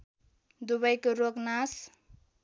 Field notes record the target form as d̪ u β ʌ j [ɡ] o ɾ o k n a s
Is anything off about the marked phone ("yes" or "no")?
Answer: yes